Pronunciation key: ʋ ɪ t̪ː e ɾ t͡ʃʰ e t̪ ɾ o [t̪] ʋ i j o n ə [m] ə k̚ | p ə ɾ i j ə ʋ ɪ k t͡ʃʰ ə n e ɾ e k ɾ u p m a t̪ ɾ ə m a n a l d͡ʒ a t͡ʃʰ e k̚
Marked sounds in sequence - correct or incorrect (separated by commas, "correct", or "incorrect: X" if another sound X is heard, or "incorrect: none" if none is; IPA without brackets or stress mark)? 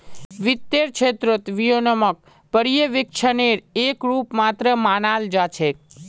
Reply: correct, correct